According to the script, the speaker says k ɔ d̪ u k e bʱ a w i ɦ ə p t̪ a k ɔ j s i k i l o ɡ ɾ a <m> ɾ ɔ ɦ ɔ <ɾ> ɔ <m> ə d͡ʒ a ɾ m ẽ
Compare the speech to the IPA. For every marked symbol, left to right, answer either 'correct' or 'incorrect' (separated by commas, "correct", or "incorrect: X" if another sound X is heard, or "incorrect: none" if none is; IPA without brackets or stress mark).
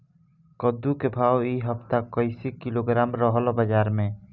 correct, incorrect: l, incorrect: b